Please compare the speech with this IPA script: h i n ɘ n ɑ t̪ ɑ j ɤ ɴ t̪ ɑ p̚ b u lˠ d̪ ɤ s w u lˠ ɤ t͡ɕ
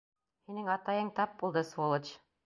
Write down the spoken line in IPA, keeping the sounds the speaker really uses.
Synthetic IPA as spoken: h i n ɘ ŋ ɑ t̪ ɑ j ɤ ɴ t̪ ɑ p̚ b u lˠ d̪ ɤ s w o lˠ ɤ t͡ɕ